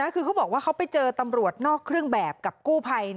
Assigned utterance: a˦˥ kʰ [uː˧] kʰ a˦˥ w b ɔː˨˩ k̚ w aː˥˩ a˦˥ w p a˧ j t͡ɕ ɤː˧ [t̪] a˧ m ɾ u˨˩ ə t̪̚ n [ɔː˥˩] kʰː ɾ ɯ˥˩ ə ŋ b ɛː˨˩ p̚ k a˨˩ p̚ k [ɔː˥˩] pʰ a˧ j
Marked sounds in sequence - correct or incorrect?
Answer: incorrect: ɯː˧, correct, correct, incorrect: uː˥˩

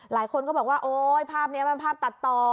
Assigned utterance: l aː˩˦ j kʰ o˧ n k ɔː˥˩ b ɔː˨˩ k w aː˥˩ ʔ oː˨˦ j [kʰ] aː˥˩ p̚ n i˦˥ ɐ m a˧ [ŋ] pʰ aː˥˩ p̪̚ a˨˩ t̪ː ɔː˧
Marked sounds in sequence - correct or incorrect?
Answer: incorrect: pʰ, incorrect: n

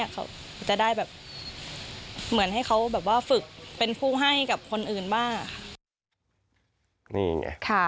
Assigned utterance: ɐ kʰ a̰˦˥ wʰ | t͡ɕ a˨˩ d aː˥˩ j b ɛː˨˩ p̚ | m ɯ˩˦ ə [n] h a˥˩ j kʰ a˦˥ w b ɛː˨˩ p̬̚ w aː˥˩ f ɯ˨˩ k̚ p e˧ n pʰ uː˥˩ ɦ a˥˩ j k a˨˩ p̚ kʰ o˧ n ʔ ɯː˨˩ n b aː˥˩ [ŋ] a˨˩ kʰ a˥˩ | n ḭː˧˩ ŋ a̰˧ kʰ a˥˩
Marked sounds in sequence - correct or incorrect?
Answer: correct, correct

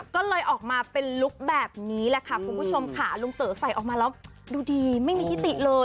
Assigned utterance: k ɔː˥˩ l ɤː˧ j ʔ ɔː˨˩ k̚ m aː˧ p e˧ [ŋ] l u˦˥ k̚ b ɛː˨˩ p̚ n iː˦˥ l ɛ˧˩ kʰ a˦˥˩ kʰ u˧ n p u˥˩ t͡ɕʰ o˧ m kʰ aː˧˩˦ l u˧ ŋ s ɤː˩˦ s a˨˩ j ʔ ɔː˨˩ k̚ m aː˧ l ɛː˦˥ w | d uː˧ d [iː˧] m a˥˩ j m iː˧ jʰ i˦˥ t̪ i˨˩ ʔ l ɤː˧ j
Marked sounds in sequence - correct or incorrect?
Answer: incorrect: n, correct

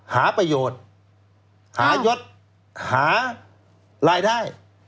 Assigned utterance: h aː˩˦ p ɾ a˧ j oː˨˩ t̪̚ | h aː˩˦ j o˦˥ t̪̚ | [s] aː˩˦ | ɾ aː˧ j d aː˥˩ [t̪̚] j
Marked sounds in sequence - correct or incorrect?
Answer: incorrect: h, incorrect: none

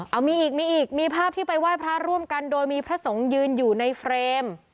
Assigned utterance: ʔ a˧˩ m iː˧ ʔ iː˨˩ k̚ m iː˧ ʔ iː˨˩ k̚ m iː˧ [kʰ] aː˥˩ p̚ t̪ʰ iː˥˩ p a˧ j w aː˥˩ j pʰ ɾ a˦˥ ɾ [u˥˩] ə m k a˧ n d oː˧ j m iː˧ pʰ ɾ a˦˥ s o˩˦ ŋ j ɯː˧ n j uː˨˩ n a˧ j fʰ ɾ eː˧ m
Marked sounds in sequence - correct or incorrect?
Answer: incorrect: pʰ, correct

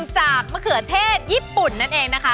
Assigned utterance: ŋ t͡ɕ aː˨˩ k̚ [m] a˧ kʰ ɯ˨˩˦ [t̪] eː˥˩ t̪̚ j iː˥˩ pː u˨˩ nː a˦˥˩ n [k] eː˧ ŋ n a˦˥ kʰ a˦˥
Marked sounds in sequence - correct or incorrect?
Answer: correct, incorrect: t̪ʰ, incorrect: ʔ

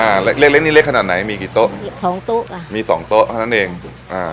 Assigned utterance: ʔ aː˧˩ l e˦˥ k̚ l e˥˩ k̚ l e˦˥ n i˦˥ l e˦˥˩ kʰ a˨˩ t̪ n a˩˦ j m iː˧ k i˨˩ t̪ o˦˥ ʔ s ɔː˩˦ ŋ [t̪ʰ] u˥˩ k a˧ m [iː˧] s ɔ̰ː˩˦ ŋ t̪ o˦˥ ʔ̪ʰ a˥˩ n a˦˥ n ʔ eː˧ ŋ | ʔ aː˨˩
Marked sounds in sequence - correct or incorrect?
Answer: incorrect: t̪, correct

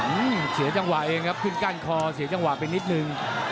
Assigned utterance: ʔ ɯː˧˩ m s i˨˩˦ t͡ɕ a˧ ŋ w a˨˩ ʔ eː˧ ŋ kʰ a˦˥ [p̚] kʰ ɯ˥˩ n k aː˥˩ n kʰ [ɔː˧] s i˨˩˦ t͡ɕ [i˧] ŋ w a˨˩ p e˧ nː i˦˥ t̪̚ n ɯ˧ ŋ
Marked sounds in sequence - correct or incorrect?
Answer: correct, correct, incorrect: a˧

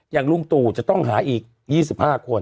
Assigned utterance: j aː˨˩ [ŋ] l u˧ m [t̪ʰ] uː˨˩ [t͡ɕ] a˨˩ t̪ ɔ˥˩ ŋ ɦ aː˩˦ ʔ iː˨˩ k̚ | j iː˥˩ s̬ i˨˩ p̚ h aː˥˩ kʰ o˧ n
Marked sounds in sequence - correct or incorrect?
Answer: correct, incorrect: t̪, correct

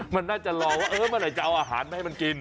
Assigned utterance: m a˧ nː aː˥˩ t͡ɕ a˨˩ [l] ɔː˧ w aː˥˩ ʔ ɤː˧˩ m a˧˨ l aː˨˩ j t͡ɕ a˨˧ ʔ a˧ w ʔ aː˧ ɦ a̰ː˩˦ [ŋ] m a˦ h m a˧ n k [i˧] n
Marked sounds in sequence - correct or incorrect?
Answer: correct, incorrect: n, correct

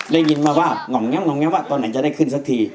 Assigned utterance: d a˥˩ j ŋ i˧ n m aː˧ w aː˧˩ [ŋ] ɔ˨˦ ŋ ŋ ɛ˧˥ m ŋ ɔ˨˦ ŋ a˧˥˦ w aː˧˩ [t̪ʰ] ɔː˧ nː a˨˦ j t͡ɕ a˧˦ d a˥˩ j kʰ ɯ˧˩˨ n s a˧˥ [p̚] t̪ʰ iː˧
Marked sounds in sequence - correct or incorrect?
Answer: correct, incorrect: t̪, incorrect: k̚

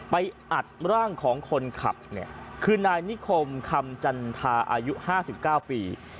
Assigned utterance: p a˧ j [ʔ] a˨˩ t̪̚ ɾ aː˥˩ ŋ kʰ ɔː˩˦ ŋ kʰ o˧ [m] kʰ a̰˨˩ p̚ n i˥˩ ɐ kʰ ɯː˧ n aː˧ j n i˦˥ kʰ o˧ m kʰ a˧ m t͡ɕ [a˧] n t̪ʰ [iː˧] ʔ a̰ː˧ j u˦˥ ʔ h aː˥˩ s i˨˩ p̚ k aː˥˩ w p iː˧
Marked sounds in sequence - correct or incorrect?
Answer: correct, incorrect: n, correct, incorrect: aː˧

